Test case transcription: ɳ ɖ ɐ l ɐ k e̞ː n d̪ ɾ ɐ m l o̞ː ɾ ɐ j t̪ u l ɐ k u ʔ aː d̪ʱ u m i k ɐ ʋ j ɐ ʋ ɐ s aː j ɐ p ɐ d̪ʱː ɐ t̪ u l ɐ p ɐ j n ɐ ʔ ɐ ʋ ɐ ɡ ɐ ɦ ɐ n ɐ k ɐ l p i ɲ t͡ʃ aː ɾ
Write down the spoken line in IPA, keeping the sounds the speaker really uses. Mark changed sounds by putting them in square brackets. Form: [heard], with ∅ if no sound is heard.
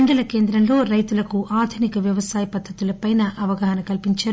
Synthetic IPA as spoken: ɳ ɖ ɐ l ɐ k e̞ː n d̪ ɾ ɐ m l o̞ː ɾ ɐ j t̪ u l ɐ k u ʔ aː d̪ʱ u [n] i k ɐ ʋ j ɐ ʋ ɐ s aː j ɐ p ɐ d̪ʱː ɐ t̪ u l ɐ p ɐ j n ɐ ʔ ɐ ʋ ɐ ɡ ɐ ɦ ɐ n ɐ k ɐ l p i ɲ t͡ʃ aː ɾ